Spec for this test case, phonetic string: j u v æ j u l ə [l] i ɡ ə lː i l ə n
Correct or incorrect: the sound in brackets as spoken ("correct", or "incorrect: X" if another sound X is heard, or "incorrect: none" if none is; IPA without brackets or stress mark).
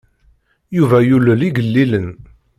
correct